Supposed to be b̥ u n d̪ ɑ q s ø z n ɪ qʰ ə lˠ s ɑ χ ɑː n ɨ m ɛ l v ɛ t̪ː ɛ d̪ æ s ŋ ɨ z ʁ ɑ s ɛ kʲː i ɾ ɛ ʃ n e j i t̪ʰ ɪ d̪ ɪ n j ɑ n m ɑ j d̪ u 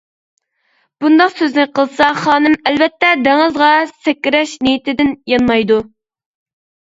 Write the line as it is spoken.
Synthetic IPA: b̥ u n d̪ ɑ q s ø z n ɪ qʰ ə lˠ s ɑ χ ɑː n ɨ m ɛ l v ɛ t̪ː ɛ d̪ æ ŋ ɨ z ʁ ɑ s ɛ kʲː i ɾ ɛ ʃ n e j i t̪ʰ ɪ d̪ ɪ n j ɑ n m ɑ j d̪ u